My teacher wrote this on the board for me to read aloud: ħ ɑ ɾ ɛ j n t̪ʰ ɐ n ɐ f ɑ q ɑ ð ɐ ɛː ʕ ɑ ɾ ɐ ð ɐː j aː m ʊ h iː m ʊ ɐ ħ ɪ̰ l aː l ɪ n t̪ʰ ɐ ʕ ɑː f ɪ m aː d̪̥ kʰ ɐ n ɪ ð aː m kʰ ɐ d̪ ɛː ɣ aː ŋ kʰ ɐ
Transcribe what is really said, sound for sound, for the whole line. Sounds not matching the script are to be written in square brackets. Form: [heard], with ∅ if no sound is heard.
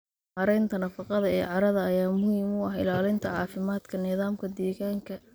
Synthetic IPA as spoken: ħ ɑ ɾ ɛ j n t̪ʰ ɐ n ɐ f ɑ q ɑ ð ɐ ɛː ʕ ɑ ɾ ɐ ð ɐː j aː m ʊ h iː m ʊ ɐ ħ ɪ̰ l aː l ɪ n t̪ʰ ɐ ʕ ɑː f ɪ m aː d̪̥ kʰ ɐ n ɪ ð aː m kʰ ɐ d̪ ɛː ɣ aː ŋ kʰ ɐ